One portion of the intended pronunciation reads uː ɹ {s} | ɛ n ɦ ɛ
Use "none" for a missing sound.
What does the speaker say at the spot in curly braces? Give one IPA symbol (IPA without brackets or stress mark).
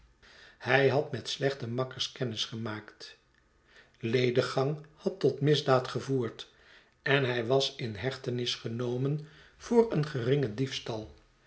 t